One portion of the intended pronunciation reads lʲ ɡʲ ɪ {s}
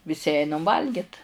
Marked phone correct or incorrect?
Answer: incorrect